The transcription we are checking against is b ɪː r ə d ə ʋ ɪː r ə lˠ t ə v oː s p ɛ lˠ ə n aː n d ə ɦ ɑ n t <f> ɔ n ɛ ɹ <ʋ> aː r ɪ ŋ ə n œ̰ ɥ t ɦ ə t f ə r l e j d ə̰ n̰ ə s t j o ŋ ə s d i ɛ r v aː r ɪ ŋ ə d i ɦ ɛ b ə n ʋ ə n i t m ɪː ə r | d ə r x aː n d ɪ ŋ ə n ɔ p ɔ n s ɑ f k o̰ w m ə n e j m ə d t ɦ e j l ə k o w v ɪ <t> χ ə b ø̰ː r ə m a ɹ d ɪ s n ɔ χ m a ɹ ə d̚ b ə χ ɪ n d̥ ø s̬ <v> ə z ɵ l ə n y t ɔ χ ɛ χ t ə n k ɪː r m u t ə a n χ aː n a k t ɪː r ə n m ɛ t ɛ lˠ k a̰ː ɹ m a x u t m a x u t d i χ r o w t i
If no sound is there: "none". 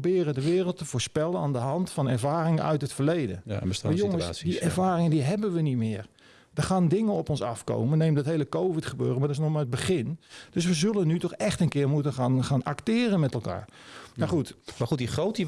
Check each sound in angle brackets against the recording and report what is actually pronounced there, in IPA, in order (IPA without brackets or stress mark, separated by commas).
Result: f, v, t, ʋ